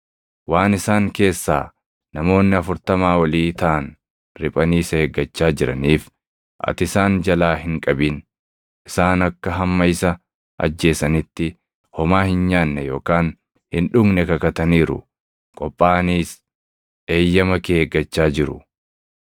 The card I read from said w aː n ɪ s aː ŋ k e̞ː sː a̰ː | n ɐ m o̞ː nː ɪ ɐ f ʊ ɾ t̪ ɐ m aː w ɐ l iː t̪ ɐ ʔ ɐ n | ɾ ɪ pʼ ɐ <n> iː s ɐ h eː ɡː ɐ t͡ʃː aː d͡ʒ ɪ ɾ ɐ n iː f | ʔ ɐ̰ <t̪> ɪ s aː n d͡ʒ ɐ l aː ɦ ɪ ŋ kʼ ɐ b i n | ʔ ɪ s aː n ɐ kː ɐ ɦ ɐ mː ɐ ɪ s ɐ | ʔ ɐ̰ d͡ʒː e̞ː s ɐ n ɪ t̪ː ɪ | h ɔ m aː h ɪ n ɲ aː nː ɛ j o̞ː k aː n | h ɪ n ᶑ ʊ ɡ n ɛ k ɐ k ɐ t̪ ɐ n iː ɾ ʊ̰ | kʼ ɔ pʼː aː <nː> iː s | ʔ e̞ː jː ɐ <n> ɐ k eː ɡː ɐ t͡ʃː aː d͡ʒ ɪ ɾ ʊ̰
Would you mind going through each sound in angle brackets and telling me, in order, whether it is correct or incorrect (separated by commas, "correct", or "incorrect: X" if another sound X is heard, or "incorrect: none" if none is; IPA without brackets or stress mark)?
correct, correct, incorrect: n, incorrect: m